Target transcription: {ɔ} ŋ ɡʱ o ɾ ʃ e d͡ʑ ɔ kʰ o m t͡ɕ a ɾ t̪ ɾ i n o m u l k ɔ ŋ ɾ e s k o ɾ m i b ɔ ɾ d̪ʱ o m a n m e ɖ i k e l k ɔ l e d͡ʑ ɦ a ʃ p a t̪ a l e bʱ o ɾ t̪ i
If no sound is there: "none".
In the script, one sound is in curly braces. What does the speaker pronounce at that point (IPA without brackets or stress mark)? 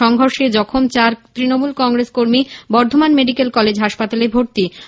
ɔ